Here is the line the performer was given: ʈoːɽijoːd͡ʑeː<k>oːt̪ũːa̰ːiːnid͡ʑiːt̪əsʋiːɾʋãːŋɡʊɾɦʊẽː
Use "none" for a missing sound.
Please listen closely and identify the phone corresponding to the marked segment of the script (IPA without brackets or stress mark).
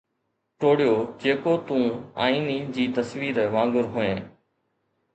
k